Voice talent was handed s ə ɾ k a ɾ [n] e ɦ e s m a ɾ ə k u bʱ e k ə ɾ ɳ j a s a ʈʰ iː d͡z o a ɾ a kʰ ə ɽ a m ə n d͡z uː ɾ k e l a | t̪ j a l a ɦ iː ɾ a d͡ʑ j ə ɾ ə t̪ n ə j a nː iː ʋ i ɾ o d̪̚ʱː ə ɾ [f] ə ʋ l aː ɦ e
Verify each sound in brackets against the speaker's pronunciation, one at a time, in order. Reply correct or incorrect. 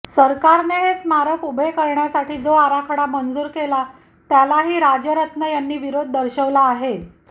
correct, incorrect

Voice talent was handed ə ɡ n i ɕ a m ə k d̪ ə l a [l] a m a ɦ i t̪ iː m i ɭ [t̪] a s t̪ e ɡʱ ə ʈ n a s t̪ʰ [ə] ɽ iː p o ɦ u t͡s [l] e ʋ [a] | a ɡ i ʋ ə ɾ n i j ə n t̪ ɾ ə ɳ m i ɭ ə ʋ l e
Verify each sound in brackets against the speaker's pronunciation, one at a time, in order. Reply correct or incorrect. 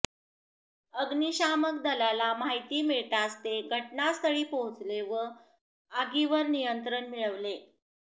correct, correct, correct, correct, incorrect

